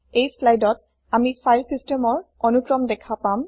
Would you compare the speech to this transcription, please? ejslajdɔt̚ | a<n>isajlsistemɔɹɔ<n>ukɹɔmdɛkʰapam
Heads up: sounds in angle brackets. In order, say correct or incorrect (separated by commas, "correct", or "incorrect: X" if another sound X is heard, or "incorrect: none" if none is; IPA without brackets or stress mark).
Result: incorrect: m, correct